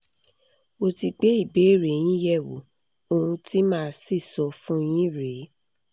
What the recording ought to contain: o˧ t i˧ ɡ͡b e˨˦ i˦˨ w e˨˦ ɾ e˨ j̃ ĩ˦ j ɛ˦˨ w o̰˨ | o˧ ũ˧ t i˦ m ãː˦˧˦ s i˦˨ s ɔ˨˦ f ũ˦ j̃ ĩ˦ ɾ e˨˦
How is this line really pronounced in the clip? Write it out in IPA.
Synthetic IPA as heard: o˧ t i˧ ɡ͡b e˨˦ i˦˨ b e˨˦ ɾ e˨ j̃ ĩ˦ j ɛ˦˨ w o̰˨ | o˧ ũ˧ t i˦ m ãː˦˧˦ s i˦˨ s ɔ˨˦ f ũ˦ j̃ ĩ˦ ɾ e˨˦